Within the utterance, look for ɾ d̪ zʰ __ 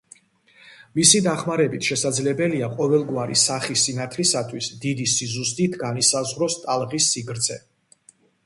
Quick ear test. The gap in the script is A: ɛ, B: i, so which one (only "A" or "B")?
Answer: A